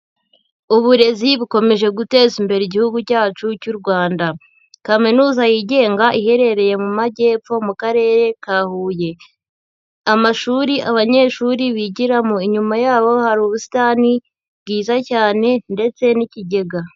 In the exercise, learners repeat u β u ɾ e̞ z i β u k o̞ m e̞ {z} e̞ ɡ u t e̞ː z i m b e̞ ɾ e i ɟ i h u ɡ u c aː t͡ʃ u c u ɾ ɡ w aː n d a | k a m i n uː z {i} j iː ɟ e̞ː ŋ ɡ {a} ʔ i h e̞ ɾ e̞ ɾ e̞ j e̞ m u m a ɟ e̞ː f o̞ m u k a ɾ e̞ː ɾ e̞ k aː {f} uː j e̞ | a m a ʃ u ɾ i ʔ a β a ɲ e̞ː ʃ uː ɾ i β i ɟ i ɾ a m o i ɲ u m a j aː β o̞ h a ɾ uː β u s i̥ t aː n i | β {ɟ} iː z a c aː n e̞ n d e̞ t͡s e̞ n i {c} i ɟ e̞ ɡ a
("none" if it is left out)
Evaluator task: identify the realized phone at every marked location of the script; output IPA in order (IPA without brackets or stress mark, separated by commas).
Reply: ʒ, a, a, h, ɡ, c